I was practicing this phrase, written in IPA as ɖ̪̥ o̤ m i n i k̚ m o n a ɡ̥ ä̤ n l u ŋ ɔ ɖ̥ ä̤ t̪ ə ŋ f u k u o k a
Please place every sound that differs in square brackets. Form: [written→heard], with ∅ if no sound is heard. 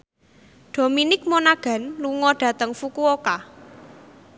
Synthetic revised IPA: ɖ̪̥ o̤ m i n [i→ɪ] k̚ m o n a ɡ̥ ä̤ n l u ŋ ɔ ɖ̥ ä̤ t̪ ə ŋ f u k u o k a